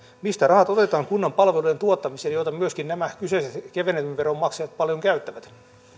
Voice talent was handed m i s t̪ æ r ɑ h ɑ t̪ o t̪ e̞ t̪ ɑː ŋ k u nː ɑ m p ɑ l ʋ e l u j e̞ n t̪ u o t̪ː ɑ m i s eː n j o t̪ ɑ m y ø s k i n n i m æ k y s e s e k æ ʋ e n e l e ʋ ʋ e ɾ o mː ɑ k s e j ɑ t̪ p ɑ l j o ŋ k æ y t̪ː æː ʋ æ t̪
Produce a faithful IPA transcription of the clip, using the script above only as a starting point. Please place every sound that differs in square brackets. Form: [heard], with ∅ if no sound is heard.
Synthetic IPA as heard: m i s t̪ æ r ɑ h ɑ t̪ o t̪ e̞ t̪ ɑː ŋ k u nː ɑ m p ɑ l ʋ e l u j e̞ n t̪ u o t̪ː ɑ m i s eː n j o t̪ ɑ m y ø s k i n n [æ] m æ k y s e s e k [e] ʋ e n e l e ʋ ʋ e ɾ o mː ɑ k s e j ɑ t̪ p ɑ l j o ŋ k æ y t̪ː [æ] ʋ æ t̪